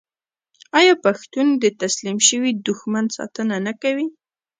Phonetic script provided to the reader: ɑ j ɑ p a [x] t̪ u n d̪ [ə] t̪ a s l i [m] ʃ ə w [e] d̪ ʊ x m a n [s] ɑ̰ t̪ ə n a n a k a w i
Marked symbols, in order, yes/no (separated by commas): yes, yes, yes, no, yes